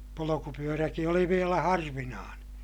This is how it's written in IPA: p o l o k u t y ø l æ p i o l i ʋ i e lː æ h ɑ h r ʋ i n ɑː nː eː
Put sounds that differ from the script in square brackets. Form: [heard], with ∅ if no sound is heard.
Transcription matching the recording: p o l o k u [p] y ø [r] æ [k] i o l i ʋ i e [l] æ h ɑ [∅] r ʋ i n ɑː [n] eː

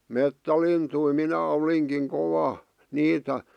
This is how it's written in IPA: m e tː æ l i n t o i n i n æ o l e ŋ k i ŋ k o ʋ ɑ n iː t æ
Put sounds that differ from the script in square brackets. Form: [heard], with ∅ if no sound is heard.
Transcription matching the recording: m e tː æ l i n t [u] i [m] i n æ o l [i] ŋ k i ŋ k o ʋ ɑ n iː t æ

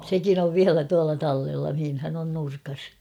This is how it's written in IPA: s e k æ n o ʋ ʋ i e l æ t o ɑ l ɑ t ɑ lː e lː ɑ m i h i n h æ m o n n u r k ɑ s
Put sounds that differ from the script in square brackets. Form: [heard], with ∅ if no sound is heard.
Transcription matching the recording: s e k [i] n o ʋ ʋ i [æ] l æ t [u] ɑ l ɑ t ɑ lː e lː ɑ m i h i n h æ [n] o n n u r k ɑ s

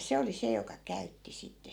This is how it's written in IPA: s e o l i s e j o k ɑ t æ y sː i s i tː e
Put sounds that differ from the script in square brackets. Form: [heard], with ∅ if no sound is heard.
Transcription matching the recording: s e o l i s e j o k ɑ [k] æ y [tː] i s i tː e

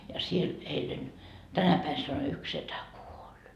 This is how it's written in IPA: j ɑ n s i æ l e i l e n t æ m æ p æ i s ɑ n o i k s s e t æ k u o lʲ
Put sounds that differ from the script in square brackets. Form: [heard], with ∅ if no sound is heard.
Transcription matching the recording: j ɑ [∅] s i [e] l e i l e n t æ [n] æ p æ i s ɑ n o [y] k s s e t æ k u o lʲ

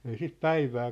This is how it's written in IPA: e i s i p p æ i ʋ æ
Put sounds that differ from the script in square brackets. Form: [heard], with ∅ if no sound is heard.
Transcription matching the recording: e i s i [t] p æ i ʋ [æː]

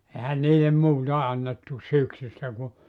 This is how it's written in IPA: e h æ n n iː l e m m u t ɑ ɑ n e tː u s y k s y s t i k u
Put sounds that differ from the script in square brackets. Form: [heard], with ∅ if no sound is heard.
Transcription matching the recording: e h æ n n iː l e m m [uː] t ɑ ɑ [nː] e tː u s y k s y s t [æ] k u

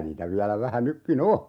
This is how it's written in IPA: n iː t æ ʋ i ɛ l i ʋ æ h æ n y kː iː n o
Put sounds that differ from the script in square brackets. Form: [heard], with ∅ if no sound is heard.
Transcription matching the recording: n iː t æ ʋ i [æ] l [æ] ʋ æ h æ n y kː [i] n o

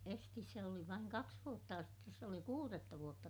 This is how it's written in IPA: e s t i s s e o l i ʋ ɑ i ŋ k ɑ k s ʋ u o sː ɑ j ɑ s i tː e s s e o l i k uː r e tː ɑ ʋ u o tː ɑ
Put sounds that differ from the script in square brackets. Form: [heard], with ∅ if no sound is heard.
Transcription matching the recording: e s t i s s e o l i ʋ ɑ i ŋ k ɑ k s ʋ u o [tː] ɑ j ɑ s i tː e s s e o l i k uː r e tː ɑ ʋ u o tː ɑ

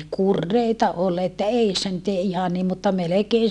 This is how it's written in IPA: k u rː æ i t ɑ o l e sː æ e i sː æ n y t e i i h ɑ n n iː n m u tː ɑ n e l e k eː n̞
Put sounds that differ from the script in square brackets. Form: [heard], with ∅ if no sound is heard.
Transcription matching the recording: k u rː [e] i t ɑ o l e [tː] æ e i sː æ n y t e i i h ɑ n n iː [m] m u tː ɑ [m] e l e k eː n̞

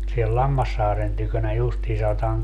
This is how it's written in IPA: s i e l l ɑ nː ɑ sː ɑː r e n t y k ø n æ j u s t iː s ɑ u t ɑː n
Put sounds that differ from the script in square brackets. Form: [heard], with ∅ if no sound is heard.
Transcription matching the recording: s i e l l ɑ [mː] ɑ sː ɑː r e n t y k ø n æ j u s t iː s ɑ [o] t ɑː [ŋ]

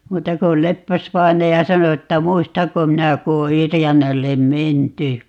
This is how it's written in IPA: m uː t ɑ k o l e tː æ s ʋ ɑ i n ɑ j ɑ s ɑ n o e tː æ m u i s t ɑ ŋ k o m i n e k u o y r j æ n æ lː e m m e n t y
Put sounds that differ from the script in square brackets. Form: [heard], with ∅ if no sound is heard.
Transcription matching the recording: m uː t ɑ k o l e [pː] æ s ʋ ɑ i n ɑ j ɑ s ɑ n o e tː æ m u i s t ɑ ŋ k o m i n [æ] k u o y r j æ n æ lː e m m e n t y

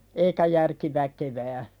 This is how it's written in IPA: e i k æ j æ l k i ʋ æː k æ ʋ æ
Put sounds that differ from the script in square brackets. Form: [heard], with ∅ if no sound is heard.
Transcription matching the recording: e i k æ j æ [r] k i ʋ [æ] k [e] ʋ [æː]

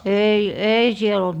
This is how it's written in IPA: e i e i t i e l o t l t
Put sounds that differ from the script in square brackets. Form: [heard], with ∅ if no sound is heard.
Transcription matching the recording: e i e i [s] i e l o [∅] l t

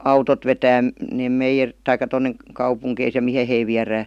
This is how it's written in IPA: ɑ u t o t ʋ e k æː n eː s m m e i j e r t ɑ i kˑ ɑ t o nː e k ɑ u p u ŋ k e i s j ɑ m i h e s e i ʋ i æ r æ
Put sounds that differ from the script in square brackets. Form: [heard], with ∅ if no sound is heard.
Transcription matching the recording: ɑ u t o t ʋ e [t] æː n eː [∅] m m e i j e r t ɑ i kˑ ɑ t o nː e k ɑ u p u ŋ k e i s j ɑ m i h e [h] e i ʋ i æ r [æː]

